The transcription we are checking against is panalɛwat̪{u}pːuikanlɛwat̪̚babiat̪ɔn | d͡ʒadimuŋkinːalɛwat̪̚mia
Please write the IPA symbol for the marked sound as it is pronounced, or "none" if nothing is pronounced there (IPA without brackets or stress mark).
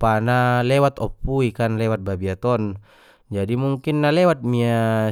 ɔ